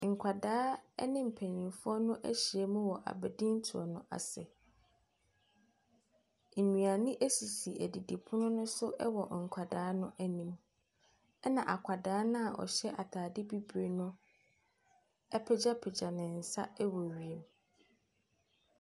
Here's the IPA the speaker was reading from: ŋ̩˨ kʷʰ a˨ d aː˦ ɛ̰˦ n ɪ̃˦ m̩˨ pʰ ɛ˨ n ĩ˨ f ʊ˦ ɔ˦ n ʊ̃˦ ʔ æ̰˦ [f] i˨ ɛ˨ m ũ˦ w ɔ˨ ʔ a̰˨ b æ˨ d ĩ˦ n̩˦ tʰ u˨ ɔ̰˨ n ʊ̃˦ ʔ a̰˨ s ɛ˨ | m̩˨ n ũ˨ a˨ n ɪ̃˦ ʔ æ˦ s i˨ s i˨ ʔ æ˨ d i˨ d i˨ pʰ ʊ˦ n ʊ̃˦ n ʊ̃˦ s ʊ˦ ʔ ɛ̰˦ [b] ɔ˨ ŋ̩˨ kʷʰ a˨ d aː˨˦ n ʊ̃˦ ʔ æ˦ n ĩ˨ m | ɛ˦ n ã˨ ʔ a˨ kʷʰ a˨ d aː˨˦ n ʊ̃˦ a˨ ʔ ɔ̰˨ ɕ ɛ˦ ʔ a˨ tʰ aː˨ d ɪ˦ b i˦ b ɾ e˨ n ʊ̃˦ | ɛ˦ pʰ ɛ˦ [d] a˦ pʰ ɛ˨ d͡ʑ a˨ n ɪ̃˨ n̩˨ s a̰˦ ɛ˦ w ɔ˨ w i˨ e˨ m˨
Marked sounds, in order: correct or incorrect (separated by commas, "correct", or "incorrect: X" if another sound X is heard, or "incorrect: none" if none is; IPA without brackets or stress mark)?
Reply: incorrect: ɕ, incorrect: w, incorrect: d͡ʑ